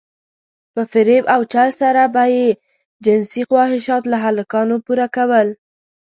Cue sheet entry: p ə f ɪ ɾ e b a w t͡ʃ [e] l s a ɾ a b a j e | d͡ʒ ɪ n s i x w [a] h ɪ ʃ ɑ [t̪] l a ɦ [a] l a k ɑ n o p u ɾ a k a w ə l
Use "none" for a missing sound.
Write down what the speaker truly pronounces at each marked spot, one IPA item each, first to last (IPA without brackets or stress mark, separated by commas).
a, ɑ, t̪, a